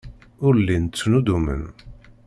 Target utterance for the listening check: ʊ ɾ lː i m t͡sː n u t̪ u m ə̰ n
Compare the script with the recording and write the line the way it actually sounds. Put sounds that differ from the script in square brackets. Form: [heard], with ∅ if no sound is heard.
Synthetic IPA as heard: ʊ ɾ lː i [n] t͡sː n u [d̪] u m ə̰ n